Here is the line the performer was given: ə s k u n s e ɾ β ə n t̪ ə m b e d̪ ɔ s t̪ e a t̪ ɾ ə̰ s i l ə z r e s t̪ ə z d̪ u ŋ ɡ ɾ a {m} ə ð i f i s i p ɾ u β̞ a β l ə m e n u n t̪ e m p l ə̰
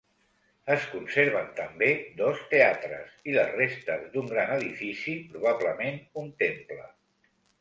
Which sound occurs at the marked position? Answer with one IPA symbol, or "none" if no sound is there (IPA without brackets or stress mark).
n